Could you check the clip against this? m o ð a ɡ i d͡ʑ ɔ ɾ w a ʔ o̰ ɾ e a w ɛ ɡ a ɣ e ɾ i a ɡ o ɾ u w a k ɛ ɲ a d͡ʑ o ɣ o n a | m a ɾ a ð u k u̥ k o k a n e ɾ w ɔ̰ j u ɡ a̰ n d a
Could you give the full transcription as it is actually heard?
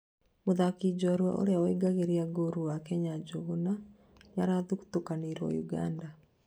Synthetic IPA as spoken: m o ð a k i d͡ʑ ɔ ɾ w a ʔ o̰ ɾ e a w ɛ ɡ a ɣ e ɾ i a ɡ o ɾ u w a k ɛ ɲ a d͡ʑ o ɣ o n a | ɲ a ɾ a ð u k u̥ t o k a n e ɾ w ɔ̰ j u ɡ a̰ n d a